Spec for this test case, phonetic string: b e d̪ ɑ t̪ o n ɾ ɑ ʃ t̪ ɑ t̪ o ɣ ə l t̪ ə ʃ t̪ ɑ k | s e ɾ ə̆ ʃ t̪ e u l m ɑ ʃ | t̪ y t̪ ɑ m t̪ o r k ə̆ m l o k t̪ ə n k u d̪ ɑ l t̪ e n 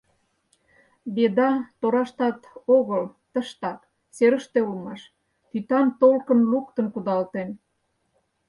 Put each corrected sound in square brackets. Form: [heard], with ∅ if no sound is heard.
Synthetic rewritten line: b e d̪ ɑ t̪ o [∅] ɾ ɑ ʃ t̪ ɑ t̪ o ɣ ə l t̪ ə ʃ t̪ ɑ k | s e ɾ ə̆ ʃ t̪ e u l m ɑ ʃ | t̪ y t̪ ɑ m t̪ o [l] k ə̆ [n] l [u] k t̪ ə n k u d̪ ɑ l t̪ e n